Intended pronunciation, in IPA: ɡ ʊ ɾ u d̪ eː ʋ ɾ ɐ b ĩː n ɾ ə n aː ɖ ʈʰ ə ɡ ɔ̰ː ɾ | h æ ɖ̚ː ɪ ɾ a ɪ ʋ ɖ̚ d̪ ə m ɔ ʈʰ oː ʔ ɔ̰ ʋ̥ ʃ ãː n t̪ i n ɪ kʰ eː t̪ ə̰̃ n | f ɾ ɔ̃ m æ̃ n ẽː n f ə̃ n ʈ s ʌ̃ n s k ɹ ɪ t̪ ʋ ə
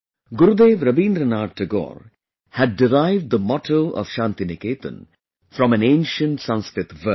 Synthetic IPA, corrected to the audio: ɡ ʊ ɾ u d̪ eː ʋ ɾ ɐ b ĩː n ɾ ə n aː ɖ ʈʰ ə ɡ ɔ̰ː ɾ | h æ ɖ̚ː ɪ ɾ a ɪ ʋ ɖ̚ d̪ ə m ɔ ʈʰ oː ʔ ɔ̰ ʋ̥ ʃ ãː n t̪ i n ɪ k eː t̪ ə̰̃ n | f ɾ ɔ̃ m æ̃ n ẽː n ʃ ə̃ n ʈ s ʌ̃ n s k ɾ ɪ t̪ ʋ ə